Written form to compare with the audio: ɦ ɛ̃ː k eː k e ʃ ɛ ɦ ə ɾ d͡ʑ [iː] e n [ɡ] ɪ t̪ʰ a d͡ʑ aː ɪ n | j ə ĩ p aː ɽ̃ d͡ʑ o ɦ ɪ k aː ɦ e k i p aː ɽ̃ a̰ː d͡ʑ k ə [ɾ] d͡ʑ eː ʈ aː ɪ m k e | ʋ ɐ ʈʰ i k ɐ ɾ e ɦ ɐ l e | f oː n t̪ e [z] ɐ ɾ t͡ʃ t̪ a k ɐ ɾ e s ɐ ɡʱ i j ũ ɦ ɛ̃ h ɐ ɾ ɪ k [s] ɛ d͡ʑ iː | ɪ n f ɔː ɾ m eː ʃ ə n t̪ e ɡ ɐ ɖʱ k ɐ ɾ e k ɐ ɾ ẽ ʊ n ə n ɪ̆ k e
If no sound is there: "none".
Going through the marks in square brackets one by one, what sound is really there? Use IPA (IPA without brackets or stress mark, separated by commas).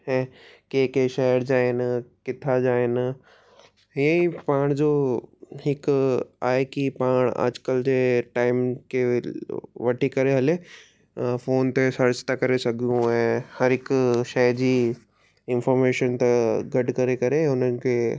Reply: aː, k, l, s, ʃ